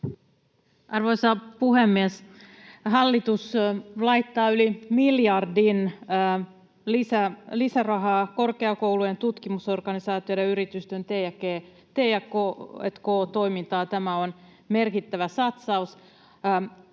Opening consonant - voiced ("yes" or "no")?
yes